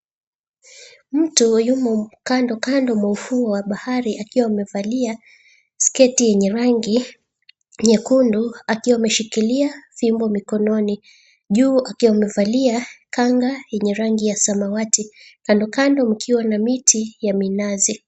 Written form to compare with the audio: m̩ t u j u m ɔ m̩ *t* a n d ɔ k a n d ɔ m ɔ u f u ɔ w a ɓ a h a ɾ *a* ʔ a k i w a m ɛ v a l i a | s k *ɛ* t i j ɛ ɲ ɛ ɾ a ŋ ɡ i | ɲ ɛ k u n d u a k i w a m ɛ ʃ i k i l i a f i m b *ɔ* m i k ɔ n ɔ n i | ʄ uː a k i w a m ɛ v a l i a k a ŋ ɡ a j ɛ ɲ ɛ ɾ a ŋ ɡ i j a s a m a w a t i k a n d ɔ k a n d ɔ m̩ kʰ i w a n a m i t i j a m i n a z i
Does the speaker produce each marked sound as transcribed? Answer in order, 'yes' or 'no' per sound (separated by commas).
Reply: no, no, yes, yes